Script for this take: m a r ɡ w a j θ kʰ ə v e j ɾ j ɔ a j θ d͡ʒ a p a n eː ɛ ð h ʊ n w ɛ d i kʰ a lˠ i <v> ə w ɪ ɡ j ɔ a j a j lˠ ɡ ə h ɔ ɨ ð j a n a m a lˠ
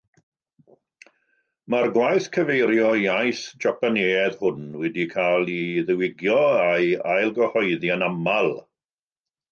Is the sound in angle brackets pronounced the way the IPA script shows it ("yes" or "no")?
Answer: no